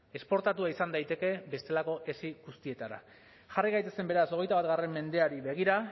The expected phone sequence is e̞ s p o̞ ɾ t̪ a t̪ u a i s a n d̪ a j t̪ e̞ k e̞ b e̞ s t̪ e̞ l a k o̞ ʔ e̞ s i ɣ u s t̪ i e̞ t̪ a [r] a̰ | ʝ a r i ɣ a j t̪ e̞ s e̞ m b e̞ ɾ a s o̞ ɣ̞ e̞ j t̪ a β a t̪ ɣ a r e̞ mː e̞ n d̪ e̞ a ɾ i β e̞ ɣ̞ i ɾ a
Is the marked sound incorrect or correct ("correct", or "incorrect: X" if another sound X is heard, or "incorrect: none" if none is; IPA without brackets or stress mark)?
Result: incorrect: ɾ